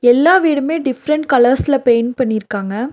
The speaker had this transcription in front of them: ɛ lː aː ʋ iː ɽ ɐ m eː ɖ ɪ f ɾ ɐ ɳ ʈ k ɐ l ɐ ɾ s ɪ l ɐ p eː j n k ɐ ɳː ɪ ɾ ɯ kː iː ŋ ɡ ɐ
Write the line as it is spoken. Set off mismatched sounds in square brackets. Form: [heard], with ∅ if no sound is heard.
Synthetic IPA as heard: ɛ lː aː ʋ iː ɽ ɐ m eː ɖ ɪ f ɾ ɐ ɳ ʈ k ɐ l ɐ ɾ s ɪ l ɐ p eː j n [p] ɐ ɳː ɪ ɾ ɯ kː [aː] ŋ ɡ ɐ

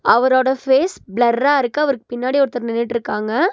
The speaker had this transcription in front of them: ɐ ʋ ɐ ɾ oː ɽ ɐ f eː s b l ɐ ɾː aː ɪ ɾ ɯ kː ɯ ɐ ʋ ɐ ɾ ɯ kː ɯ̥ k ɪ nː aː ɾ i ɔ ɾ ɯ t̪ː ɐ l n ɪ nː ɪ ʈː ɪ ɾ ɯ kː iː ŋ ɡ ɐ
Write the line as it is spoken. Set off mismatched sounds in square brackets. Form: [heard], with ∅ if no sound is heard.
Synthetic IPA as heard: ɐ ʋ ɐ ɾ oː ɽ ɐ f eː s b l ɐ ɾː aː ɪ ɾ ɯ kː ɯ ɐ ʋ ɐ ɾ ɯ kː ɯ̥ [p] ɪ nː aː [ɽ] i ɔ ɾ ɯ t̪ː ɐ [ɾ] n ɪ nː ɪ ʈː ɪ ɾ ɯ kː [aː] ŋ ɡ ɐ

